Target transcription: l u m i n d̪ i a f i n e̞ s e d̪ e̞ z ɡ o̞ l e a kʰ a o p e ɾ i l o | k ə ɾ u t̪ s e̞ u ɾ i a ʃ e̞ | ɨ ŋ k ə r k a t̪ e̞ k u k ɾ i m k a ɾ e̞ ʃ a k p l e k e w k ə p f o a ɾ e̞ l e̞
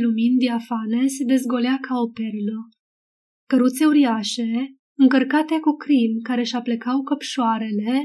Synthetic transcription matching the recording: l u m i n d̪ i a f a n e̞ s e d̪ e̞ z ɡ o̞ l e a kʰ a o p e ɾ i l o | k ə ɾ u t̪ s e̞ u ɾ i a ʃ e̞ | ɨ ŋ k ə r k a t̪ e̞ k u k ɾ i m k a ɾ e̞ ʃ a p l e k a w k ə p ʃ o a ɾ e̞ l e̞